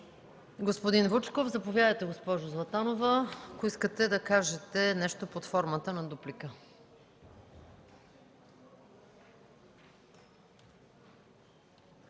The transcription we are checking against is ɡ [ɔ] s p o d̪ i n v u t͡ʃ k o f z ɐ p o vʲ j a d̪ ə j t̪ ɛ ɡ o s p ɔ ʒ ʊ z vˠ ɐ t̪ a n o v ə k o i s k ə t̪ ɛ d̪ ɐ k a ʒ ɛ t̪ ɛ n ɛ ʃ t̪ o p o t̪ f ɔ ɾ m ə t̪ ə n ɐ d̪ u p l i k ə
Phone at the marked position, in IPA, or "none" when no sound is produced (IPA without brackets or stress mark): o